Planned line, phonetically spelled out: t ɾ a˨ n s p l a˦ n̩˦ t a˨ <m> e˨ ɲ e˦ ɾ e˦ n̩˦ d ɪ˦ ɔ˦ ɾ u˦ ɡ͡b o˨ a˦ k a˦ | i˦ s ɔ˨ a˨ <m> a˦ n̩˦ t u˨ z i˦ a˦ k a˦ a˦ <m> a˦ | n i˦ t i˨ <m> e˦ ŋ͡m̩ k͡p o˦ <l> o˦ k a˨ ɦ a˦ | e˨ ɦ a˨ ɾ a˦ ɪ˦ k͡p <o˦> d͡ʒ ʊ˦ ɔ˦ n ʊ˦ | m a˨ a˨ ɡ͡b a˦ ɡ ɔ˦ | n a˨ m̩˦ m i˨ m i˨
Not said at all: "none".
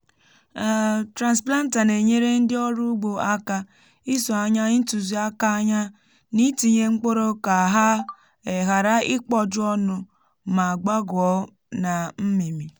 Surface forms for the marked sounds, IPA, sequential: n, ɲ, ɲ, ɲ, ɾ, ɔ˦

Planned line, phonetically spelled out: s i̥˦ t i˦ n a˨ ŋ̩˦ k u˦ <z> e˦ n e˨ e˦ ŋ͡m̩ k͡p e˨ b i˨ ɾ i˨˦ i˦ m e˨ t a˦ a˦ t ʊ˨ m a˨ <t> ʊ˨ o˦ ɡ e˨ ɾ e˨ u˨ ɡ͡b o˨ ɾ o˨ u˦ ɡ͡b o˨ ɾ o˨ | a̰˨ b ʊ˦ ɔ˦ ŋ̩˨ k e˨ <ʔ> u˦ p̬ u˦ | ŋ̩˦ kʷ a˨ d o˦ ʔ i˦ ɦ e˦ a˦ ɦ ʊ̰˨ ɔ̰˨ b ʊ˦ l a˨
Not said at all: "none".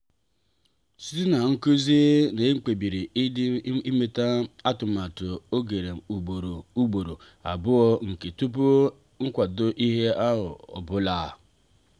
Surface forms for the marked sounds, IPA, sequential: z, t, t

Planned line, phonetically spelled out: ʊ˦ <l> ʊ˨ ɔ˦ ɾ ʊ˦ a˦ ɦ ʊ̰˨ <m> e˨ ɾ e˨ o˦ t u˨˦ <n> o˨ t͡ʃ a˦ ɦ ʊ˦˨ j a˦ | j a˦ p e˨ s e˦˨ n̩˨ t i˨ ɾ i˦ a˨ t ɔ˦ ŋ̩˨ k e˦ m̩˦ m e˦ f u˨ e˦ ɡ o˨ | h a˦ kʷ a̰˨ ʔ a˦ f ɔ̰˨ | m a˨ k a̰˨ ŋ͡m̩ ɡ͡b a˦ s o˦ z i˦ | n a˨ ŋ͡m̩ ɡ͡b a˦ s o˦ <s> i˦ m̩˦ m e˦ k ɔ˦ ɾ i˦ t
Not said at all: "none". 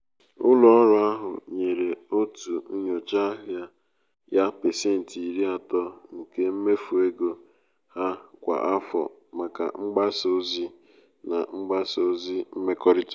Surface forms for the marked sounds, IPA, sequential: l, ɲ, ɲ, z

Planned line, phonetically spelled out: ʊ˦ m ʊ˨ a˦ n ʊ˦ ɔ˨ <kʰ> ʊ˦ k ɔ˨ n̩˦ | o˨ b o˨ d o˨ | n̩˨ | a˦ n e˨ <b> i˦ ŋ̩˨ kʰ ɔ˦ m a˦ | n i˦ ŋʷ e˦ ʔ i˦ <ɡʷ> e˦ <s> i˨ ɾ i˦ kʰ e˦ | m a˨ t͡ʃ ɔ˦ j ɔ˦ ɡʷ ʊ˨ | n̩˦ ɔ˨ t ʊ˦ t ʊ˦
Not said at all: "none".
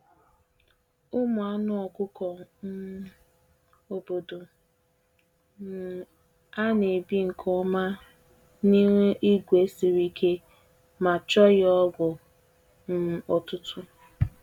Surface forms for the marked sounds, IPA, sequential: k, b, ɡʷ, s

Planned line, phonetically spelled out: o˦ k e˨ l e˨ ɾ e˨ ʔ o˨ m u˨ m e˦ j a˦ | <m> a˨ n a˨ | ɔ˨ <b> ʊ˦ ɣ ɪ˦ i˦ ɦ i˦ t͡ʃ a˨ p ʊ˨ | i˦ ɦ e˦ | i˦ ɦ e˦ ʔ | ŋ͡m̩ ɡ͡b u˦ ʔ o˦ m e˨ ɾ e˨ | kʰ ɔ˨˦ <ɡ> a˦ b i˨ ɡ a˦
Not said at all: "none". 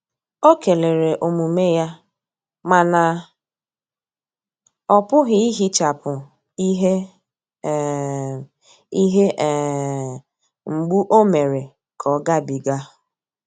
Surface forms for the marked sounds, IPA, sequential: m, p, ɡ

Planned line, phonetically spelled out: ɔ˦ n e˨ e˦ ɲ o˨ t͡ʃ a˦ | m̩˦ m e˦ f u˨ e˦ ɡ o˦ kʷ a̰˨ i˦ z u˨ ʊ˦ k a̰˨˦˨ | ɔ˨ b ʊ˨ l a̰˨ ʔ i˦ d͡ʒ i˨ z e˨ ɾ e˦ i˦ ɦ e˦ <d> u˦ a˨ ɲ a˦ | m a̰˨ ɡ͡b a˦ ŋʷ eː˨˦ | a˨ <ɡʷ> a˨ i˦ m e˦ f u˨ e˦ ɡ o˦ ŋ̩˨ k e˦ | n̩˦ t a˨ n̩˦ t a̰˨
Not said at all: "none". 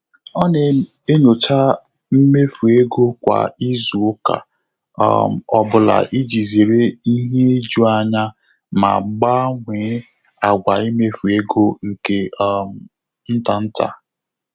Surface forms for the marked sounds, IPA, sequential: d͡ʒ, ɡʷ

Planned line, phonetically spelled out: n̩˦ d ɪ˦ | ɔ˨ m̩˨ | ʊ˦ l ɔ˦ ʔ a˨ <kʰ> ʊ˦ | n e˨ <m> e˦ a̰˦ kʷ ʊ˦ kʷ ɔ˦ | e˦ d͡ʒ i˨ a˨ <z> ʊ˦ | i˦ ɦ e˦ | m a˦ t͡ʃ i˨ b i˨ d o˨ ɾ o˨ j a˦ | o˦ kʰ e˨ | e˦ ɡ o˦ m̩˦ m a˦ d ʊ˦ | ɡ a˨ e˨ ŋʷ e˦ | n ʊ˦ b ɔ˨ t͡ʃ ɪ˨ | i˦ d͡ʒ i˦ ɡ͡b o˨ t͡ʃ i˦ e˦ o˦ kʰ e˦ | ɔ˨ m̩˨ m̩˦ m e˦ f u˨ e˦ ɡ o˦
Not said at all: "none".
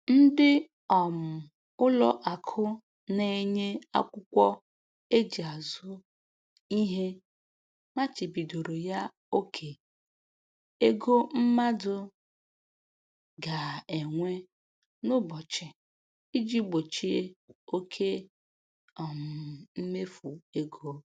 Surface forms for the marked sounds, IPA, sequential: kʰ, ɲ, z

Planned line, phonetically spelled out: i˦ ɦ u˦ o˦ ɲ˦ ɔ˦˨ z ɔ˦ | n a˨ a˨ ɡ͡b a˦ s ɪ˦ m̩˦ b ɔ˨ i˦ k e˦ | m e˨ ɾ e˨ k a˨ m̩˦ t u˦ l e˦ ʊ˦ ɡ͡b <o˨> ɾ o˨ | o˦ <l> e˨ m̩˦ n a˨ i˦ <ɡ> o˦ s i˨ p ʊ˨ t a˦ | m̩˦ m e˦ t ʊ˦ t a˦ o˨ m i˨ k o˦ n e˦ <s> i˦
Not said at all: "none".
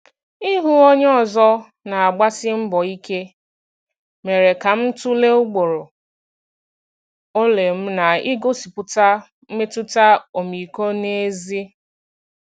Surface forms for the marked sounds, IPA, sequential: o˨, l, ɡ, z

